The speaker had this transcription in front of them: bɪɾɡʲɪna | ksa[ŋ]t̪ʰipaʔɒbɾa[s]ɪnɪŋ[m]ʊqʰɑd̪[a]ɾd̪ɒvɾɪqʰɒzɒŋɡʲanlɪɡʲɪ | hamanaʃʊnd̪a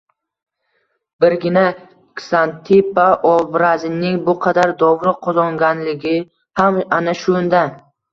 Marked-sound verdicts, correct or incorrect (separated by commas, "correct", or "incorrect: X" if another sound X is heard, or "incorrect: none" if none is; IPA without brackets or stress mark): incorrect: n, incorrect: z, incorrect: b, correct